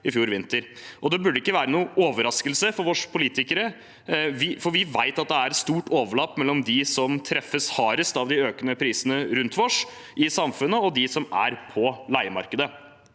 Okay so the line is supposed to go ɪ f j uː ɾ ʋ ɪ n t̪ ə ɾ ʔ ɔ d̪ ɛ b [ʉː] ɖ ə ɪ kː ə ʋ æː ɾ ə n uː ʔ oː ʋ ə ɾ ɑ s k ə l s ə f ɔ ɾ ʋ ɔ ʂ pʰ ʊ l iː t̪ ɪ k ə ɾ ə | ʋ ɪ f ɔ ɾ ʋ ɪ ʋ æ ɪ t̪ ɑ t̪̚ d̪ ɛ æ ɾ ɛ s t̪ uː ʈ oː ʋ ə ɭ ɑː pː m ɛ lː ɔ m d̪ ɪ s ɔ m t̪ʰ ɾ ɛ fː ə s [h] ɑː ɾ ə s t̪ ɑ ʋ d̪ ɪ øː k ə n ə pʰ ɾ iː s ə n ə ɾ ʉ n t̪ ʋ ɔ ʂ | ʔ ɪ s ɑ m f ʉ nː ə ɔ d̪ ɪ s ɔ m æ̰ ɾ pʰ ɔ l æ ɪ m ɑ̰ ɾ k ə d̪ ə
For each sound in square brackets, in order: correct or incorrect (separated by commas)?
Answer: incorrect, correct